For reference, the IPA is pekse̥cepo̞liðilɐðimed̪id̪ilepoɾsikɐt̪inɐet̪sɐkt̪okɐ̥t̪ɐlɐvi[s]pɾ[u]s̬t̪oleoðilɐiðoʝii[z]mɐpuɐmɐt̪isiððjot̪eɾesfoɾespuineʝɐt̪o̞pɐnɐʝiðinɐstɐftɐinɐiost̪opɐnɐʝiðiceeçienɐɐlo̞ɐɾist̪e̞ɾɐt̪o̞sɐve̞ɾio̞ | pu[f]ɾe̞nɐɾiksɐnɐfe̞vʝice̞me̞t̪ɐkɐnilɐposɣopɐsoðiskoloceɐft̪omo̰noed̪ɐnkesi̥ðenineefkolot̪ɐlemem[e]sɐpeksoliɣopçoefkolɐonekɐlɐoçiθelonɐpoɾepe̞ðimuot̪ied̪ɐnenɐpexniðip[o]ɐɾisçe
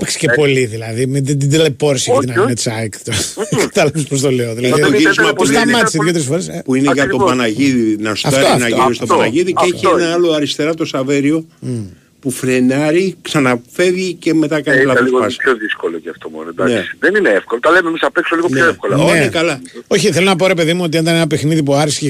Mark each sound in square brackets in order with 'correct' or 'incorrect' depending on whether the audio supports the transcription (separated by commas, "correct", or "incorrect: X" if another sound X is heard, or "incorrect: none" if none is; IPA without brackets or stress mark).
correct, incorrect: o, correct, correct, incorrect: i, incorrect: u